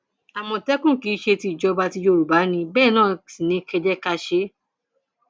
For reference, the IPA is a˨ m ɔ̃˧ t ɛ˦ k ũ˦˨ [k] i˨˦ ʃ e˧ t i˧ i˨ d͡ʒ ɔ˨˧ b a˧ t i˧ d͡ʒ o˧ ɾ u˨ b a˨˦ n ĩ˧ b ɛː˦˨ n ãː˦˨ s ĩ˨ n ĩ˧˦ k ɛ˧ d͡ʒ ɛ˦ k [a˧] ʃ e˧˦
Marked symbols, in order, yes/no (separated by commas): yes, yes